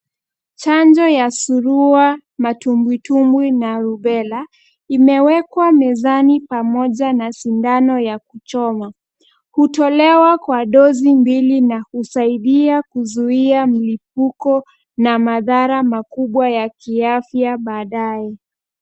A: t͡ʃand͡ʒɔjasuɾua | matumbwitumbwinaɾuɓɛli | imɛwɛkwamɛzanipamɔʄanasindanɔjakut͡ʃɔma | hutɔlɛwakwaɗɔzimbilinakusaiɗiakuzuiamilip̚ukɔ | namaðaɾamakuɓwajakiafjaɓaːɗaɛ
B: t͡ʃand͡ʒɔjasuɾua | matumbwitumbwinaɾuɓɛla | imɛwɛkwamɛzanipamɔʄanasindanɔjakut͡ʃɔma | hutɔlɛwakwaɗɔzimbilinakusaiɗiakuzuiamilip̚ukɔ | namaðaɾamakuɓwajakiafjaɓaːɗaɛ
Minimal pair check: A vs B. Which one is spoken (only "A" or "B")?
B